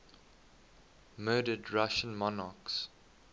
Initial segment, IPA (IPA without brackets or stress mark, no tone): m